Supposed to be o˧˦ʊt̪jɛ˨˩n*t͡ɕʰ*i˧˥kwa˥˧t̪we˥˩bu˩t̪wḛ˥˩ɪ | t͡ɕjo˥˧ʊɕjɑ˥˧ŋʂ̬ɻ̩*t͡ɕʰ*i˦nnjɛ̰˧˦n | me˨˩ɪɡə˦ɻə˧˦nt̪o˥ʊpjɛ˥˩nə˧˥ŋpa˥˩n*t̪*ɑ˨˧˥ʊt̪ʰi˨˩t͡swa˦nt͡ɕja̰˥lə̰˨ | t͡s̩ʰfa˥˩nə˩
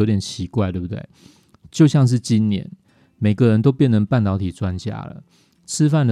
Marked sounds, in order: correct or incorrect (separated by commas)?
correct, incorrect, correct